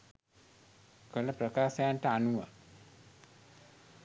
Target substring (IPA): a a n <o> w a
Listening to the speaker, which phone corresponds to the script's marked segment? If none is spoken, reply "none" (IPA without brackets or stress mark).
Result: u